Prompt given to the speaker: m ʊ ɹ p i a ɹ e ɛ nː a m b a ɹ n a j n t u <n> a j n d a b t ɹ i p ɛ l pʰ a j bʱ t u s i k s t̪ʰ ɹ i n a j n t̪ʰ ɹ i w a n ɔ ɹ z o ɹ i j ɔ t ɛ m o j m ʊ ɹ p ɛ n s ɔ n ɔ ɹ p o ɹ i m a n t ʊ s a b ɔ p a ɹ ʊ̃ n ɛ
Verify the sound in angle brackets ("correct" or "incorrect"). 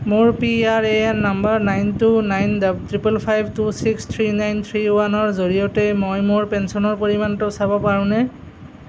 correct